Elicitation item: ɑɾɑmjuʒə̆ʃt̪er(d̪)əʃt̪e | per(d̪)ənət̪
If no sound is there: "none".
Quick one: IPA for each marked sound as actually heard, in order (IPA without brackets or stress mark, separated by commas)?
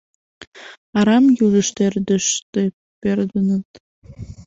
d̪, d̪